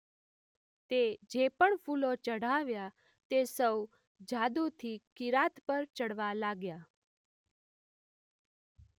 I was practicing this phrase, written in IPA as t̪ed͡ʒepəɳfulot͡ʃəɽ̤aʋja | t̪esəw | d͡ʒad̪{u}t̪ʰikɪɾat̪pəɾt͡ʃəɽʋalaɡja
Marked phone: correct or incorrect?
correct